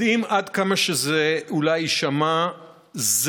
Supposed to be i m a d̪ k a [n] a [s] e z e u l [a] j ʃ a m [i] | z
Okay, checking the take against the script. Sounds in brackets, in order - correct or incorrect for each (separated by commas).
incorrect, incorrect, correct, incorrect